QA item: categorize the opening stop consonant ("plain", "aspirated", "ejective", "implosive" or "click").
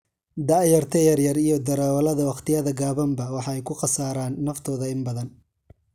plain